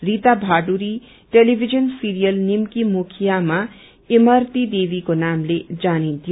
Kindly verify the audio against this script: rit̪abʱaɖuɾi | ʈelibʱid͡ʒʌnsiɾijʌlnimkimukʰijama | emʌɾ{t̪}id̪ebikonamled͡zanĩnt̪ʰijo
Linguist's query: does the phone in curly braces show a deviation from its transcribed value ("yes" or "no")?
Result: no